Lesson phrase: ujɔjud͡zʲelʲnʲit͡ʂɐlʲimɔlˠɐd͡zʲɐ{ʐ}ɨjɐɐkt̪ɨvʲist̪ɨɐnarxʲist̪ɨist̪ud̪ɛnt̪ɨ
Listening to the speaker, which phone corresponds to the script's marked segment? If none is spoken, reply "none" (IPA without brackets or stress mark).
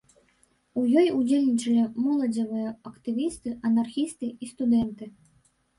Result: v